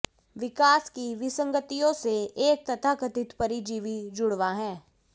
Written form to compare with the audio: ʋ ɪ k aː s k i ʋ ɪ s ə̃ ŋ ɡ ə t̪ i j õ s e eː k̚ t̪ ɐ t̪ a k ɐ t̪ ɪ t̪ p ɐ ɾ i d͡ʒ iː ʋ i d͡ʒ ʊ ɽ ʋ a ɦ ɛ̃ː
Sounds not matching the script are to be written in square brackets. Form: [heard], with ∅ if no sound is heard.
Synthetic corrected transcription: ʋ ɪ k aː s k i ʋ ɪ s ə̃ ŋ ɡ ə t̪ i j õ s e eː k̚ t̪ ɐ [t̪ʰ] a k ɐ t̪ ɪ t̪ p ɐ ɾ i d͡ʒ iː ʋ i d͡ʒ ʊ ɽ ʋ a ɦ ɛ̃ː